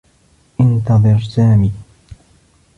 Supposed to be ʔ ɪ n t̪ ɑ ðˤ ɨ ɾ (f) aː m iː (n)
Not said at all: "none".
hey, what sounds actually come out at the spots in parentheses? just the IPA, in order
s, none

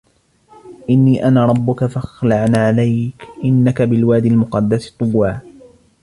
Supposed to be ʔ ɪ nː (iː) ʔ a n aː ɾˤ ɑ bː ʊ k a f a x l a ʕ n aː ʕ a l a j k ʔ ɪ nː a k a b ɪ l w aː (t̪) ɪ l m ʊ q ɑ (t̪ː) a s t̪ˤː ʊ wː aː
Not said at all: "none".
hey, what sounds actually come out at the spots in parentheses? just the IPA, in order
iː, d̪, d̪ː

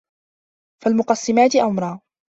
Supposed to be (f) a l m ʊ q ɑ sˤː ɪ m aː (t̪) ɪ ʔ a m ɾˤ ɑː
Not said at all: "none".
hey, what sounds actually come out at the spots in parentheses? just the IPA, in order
f, t̪

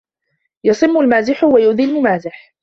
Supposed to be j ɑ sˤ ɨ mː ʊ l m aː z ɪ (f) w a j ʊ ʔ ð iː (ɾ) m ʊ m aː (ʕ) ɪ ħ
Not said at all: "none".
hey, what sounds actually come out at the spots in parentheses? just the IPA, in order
ħ, l, z

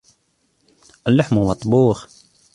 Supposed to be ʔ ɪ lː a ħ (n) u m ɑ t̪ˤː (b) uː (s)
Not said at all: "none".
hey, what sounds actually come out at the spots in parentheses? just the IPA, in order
m, b, x

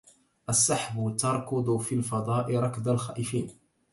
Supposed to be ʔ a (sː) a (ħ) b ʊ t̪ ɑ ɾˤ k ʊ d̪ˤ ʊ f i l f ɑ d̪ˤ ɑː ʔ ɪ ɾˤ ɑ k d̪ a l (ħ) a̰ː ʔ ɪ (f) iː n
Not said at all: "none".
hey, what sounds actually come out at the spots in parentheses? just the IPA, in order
sː, ħ, x, f

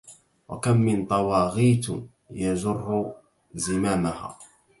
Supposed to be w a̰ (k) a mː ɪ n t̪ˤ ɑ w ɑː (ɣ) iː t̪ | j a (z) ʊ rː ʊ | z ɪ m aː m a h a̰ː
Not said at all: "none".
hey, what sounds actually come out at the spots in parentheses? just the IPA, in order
k, ɣ, z

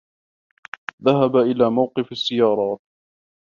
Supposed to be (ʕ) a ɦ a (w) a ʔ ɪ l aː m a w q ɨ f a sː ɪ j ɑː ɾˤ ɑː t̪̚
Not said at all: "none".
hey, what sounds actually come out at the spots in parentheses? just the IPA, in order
ð, b

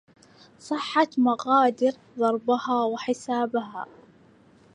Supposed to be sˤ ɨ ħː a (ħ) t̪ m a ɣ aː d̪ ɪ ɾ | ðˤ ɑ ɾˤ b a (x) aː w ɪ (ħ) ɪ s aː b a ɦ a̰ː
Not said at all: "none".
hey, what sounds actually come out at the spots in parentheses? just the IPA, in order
none, h, ħ

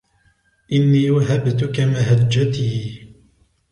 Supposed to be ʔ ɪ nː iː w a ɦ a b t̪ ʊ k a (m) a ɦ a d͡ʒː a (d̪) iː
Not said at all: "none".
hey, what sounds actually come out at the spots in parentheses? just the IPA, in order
m, t̪

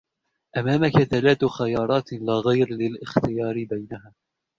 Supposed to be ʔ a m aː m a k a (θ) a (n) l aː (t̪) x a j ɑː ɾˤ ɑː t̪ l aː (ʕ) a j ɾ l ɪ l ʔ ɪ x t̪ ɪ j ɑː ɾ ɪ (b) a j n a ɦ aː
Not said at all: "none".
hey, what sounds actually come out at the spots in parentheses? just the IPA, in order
θ, none, t̪, ɣ, b

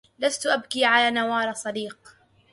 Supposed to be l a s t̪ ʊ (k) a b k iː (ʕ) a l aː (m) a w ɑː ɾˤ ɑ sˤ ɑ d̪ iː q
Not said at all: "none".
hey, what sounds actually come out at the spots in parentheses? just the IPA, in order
ʔ, ʕ, n

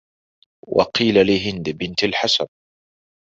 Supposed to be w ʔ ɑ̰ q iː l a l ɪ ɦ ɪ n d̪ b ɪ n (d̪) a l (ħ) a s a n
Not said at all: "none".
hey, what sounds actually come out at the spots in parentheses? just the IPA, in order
t̪, ħ

